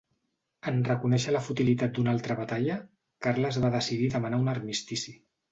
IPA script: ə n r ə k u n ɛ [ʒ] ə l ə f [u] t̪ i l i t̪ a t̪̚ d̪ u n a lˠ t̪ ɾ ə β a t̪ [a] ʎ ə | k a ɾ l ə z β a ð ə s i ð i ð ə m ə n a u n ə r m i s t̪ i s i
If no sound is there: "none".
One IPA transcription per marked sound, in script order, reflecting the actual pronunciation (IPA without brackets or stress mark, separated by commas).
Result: ʃ, u, a